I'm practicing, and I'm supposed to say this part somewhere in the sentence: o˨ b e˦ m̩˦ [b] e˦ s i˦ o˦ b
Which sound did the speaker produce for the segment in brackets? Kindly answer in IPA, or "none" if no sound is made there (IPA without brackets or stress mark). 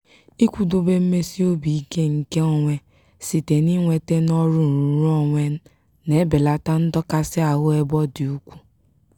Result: m